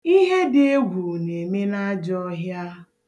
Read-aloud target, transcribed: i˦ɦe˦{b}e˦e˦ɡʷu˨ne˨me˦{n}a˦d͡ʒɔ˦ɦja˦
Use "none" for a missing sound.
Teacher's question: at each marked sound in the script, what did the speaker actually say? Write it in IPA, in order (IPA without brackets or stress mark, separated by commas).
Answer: d, n